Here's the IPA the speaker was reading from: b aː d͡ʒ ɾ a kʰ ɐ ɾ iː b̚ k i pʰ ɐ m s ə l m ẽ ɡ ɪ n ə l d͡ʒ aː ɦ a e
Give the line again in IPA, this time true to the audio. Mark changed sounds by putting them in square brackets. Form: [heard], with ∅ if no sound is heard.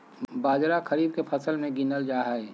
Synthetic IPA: b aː d͡ʒ ɾ a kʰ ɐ ɾ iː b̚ k [e] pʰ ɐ [∅] s ə l m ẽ ɡ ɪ n ə l d͡ʒ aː ɦ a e